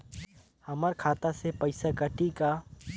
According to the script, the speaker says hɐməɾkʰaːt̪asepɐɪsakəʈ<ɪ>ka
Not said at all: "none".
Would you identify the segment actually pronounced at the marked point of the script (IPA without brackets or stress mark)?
i